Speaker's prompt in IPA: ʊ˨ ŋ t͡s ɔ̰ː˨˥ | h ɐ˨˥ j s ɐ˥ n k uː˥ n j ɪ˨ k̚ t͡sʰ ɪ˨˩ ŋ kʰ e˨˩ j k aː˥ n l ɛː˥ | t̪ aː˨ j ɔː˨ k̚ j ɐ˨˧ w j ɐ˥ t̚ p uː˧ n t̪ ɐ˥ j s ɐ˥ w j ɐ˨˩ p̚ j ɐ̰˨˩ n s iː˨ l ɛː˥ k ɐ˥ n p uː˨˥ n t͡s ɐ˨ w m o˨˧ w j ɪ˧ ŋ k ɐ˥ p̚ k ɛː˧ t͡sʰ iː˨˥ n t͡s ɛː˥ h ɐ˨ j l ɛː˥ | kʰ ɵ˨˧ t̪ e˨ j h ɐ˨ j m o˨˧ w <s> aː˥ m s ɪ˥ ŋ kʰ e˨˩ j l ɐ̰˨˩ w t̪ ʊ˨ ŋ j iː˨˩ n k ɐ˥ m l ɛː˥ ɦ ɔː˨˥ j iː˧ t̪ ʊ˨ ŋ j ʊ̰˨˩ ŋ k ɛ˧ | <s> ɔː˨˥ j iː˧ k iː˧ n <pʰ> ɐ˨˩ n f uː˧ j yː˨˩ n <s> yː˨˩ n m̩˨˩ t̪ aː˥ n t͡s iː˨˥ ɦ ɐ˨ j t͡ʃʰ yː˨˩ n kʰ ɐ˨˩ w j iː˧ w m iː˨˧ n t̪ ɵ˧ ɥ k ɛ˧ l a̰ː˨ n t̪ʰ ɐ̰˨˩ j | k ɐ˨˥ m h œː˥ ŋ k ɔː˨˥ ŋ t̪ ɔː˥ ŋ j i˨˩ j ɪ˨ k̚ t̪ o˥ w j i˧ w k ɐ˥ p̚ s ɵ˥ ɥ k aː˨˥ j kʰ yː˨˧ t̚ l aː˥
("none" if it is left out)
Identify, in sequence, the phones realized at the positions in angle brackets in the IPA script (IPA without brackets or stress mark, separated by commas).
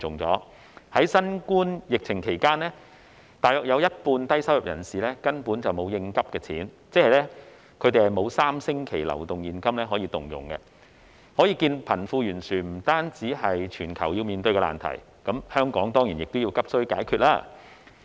s, h, pʰ, s